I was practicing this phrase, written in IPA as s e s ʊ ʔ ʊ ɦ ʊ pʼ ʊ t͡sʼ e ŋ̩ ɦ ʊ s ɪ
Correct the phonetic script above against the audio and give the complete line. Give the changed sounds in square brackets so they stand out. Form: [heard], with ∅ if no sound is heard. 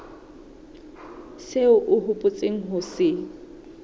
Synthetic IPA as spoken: s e [∅] ʊ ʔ ʊ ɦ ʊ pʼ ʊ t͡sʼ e ŋ̩ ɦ ʊ s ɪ